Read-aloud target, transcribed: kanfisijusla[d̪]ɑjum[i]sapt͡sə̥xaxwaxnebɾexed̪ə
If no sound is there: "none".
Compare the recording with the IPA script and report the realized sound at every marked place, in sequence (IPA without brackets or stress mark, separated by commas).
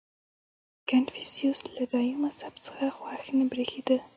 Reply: d̪, a